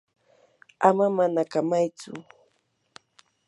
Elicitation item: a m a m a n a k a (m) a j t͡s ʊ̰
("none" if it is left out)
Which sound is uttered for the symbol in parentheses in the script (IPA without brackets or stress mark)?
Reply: m